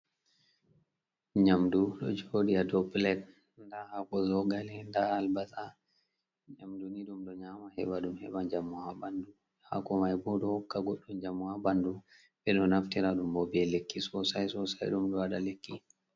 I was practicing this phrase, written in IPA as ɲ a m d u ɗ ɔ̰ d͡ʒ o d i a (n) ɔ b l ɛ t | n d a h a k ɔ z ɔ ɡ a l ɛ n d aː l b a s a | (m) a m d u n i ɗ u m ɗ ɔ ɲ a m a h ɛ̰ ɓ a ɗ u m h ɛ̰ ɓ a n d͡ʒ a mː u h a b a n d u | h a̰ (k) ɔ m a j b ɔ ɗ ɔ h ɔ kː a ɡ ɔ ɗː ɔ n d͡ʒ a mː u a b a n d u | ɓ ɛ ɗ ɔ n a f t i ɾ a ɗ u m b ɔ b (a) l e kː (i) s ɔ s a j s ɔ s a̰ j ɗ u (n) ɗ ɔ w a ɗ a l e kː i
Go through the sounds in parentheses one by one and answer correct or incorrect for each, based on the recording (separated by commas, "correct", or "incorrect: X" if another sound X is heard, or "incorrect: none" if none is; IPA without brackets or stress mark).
incorrect: d, incorrect: ɲ, correct, incorrect: ɛ, correct, incorrect: m